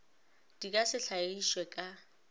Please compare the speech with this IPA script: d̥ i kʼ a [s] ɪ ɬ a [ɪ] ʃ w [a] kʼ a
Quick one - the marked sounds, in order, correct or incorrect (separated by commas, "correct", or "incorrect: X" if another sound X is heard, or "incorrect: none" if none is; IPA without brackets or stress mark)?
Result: correct, incorrect: i, incorrect: ɛ